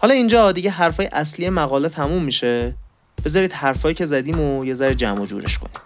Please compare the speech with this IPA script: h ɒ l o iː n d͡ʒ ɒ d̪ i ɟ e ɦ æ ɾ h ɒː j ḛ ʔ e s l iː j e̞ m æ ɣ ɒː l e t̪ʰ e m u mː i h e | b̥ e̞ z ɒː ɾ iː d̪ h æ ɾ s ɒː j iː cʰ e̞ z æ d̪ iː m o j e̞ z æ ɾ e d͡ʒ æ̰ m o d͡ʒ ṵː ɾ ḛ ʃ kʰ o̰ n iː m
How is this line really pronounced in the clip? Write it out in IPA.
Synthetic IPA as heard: h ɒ l ɒ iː n d͡ʒ ɒ d̪ i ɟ e ɦ æ ɾ f ɒː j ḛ ʔ æ s l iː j e̞ m æ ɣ ɒː l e t̪ʰ æ m u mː i ʃ e | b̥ e̞ z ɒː ɾ iː d̪ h æ ɾ f ɒː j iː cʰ e̞ z æ d̪ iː m o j e̞ z æ ɾ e d͡ʒ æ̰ m o d͡ʒ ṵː ɾ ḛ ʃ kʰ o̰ n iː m